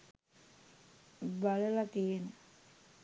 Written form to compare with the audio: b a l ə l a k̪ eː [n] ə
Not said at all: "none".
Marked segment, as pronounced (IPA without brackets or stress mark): n